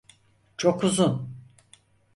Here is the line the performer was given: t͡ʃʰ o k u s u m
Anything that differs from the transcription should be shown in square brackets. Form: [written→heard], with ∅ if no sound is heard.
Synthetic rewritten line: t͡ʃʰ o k u [s→z] u [m→n]

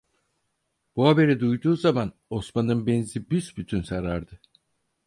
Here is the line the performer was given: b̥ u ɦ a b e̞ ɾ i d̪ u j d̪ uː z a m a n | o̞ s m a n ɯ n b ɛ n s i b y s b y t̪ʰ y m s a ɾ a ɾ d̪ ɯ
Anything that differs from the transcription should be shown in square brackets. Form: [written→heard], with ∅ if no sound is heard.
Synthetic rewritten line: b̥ u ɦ a b e̞ ɾ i d̪ u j d̪ uː z a m a n | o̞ s m a n ɯ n b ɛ n [s→z] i b y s b y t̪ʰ y [m→n] s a ɾ a ɾ d̪ ɯ

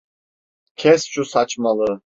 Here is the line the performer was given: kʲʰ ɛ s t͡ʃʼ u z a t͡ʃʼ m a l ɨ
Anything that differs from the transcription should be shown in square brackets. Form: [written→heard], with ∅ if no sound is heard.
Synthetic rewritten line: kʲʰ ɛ s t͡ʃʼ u [z→s] a t͡ʃʼ m a l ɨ

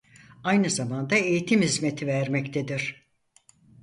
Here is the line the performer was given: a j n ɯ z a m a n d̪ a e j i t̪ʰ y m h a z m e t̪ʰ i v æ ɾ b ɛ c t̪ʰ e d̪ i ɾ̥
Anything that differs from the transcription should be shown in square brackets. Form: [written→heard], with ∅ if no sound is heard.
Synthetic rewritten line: a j n ɯ z a m a n d̪ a e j i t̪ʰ [y→i] m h [a→i] z m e t̪ʰ i v æ ɾ [b→m] ɛ c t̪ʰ e d̪ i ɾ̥

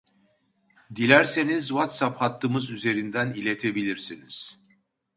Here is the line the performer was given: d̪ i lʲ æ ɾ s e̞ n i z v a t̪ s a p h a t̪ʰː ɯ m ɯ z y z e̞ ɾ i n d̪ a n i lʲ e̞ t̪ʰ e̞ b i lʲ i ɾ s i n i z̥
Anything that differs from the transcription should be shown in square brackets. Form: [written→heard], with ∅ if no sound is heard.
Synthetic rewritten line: d̪ i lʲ æ ɾ s e̞ n i z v a t̪ s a p h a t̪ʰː ɯ m ɯ z y z e̞ ɾ i n d̪ [a→æ] n i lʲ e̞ t̪ʰ e̞ b i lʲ i ɾ s i n i z̥

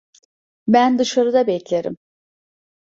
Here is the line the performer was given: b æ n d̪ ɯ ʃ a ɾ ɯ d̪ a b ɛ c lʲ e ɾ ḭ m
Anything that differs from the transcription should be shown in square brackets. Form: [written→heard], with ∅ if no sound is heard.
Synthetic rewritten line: b æ n d̪ ɯ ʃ a ɾ ɯ d̪ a b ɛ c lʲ e ɾ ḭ m

